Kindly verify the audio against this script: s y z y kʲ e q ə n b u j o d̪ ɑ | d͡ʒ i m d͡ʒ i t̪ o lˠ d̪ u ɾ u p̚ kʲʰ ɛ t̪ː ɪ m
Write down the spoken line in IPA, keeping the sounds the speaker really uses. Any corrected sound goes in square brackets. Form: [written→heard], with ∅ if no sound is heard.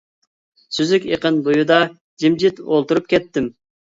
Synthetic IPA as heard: s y z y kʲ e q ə n b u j [o→u] d̪ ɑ | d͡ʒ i m d͡ʒ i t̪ o lˠ [d̪→t̪] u ɾ u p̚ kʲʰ ɛ t̪ː ɪ m